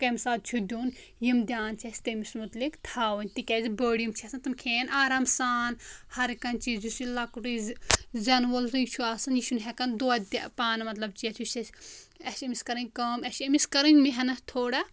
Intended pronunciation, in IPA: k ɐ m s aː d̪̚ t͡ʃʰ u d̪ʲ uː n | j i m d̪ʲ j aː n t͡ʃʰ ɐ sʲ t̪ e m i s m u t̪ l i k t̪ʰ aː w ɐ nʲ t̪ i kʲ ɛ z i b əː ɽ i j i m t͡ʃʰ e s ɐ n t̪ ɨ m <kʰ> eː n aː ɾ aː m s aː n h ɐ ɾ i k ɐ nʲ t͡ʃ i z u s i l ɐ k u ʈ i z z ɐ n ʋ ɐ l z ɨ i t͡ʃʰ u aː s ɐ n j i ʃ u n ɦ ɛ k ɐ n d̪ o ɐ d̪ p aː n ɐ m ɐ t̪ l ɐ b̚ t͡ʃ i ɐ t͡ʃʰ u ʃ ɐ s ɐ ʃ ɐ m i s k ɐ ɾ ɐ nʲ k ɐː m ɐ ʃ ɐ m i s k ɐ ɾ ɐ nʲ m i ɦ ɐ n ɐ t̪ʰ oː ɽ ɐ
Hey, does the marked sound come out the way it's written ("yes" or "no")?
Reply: yes